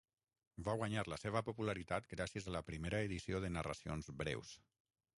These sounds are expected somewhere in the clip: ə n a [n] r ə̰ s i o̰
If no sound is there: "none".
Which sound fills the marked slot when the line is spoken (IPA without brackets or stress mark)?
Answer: none